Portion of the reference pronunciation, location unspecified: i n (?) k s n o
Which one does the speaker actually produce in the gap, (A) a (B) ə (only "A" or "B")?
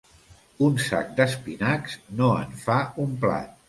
A